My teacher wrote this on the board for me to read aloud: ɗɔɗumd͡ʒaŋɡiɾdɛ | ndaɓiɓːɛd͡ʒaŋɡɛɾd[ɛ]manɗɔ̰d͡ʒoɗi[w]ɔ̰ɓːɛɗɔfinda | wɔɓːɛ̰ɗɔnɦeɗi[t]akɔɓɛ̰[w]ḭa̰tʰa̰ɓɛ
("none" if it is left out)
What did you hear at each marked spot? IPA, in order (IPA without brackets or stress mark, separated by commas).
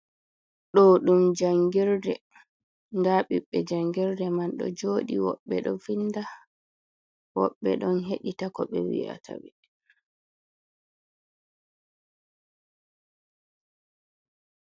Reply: ɛ, w, t, w